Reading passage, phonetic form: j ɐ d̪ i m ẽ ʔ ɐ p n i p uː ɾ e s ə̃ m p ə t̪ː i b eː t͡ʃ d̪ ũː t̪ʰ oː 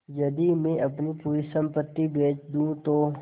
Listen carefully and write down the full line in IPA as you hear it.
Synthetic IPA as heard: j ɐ d̪ i m ẽ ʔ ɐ p n i p uː ɾ i s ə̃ m p ə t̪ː i b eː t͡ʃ d̪ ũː t̪ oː